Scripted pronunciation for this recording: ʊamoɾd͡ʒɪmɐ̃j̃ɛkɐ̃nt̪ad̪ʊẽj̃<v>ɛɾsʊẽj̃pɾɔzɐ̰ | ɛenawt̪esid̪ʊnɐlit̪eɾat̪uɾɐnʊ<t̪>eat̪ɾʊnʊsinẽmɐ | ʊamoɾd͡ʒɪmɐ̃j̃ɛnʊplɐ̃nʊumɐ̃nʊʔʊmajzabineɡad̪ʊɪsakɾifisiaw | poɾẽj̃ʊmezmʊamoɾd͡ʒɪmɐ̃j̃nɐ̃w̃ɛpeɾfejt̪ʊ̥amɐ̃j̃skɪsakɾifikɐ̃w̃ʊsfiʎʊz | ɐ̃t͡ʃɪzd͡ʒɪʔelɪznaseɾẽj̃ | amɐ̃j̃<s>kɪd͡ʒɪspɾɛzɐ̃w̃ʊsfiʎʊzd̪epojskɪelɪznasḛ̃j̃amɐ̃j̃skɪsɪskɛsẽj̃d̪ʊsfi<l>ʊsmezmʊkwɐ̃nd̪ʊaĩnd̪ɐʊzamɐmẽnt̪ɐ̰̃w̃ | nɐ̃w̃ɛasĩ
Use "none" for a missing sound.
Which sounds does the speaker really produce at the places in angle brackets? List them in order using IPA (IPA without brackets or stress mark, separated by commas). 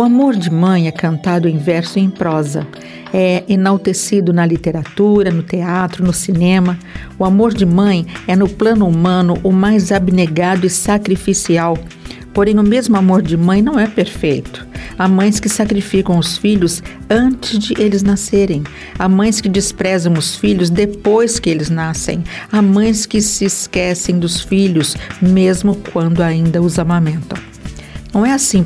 v, t̪, s, ʎ